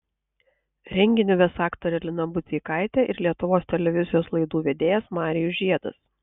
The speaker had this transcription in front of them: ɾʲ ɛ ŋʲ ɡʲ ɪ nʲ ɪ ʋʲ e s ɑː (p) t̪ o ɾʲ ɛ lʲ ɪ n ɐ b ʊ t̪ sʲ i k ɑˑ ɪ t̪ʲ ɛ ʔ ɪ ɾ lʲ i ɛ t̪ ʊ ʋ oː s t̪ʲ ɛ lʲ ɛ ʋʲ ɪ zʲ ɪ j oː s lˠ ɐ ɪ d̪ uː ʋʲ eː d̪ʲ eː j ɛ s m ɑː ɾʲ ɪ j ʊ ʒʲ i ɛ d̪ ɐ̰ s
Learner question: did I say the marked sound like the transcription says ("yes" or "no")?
no